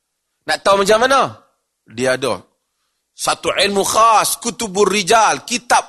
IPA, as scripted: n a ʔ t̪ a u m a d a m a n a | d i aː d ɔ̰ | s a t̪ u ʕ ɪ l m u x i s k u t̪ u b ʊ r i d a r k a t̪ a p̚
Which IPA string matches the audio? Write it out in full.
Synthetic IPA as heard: n a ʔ t̪ a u m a d͡ʒ a m a n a | d i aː d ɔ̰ | s a t̪ u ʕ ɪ l m u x a s k u t̪ u b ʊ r i d͡ʒ a l k i t̪ a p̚